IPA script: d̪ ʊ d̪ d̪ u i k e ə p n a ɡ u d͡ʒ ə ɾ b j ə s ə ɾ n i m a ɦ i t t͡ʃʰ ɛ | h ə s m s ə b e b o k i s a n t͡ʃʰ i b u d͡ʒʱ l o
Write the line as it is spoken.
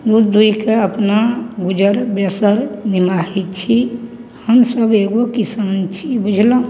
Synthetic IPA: d̪ u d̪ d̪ u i k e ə p n a ɡ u d͡ʒ ə ɾ b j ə s ə ɾ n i m a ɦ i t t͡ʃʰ i | h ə m s ə b e ɡ o k i s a n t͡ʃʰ i b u d͡ʒʱ l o

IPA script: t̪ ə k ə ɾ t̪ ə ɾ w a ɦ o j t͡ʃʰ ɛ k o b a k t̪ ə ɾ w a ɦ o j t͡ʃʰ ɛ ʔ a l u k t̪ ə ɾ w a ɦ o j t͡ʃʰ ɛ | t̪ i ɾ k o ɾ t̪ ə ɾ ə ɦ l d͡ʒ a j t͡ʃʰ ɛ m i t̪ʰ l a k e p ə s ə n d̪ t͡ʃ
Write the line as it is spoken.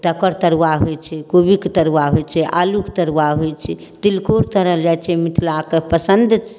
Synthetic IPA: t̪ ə k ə ɾ t̪ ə ɾ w a ɦ o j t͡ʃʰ ɛ k o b i k t̪ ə ɾ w a ɦ o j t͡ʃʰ ɛ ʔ a l u k t̪ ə ɾ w a ɦ o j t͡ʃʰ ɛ | t̪ i l k o ɾ t̪ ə ɾ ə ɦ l d͡ʒ a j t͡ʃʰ ɛ m i t̪ʰ l a k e p ə s ə n d̪ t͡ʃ

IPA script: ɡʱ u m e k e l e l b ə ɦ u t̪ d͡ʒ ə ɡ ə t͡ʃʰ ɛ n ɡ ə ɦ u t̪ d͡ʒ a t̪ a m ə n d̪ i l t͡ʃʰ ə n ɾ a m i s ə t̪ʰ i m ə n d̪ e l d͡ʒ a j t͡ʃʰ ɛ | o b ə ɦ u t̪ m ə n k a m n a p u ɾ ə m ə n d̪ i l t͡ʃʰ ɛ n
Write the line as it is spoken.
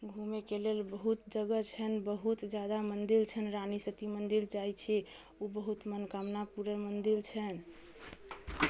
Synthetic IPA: ɡʱ u m e k e l e l b ə ɦ u t̪ d͡ʒ ə ɡ ə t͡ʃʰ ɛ n b ə ɦ u t̪ d͡ʒ a d̪ a m ə n d̪ i l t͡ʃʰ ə n ɾ a n i s ə t̪ i m ə n d̪ i l d͡ʒ a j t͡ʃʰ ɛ | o b ə ɦ u t̪ m ə n k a m n a p u ɾ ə m ə n d̪ i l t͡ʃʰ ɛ n

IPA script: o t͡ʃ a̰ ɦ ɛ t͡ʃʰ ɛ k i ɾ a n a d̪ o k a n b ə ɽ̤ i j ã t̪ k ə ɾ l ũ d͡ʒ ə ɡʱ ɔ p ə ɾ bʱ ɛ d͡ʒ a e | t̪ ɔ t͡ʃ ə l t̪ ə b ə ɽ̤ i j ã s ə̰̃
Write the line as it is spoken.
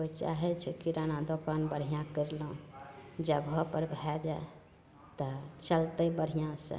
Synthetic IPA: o t͡ʃ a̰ ɦ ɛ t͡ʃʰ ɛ k i ɾ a n a d̪ o k a n b ə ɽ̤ i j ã k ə ɾ l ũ d͡ʒ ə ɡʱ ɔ p ə ɾ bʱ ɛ d͡ʒ a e | t̪ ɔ t͡ʃ ə l t̪ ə b ə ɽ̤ i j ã s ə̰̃

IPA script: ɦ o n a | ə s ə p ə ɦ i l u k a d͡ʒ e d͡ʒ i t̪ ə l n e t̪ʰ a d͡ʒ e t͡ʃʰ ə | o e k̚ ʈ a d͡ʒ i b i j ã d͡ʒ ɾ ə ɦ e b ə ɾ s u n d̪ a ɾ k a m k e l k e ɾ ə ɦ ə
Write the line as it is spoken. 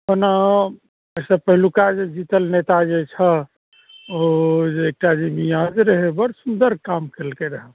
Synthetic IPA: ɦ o n a | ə s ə p ə ɦ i l u k a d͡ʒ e d͡ʒ i t̪ ə l n e t̪ a d͡ʒ e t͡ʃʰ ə | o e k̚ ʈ a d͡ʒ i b i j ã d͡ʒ ɾ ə ɦ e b ə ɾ s u n d̪ ə ɾ k a m k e l k e ɾ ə ɦ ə

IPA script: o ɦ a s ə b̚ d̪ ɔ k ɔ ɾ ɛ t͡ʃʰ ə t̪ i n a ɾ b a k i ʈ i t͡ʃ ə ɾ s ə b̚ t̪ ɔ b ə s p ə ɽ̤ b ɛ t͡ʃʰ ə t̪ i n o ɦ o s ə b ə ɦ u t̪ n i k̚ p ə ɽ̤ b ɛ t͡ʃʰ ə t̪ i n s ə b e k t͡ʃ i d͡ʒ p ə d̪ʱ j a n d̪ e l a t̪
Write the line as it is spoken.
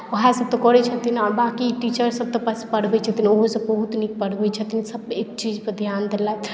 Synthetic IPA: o ɦ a s ə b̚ t̪ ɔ k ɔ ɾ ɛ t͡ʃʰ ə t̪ i n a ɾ b a k i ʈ i t͡ʃ ə ɾ s ə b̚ t̪ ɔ p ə s p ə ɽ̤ b ɛ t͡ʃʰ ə t̪ i n o ɦ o s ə b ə ɦ u t̪ n i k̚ p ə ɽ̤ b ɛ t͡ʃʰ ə t̪ i n s ə b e k t͡ʃ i d͡ʒ p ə d̪ʱ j a n d̪ e l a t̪

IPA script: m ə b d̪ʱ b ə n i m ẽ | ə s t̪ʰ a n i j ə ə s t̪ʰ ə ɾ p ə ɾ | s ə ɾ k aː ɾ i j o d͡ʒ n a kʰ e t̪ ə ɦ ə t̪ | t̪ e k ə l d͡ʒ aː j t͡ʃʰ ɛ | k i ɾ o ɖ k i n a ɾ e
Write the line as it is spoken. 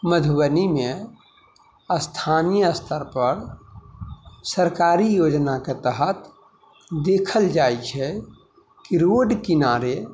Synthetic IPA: m ə d̪ʱ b ə n i m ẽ | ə s t̪ʰ a n i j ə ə s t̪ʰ ə ɾ p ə ɾ | s ə ɾ k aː ɾ i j o d͡ʒ n a k e t̪ ə ɦ ə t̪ | d̪ e kʰ ə l d͡ʒ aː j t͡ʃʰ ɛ | k i ɾ o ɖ k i n a ɾ e

